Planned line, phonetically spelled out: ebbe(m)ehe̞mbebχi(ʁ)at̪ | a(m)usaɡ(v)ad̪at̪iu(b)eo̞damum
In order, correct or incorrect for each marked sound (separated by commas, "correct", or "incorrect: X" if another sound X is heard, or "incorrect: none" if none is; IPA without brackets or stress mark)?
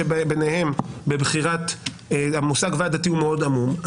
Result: incorrect: n, correct, correct, correct, incorrect: m